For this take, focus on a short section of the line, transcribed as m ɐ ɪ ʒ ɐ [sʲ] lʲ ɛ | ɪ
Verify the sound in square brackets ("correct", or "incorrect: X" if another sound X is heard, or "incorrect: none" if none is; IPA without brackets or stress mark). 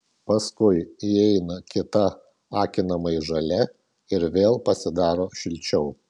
incorrect: none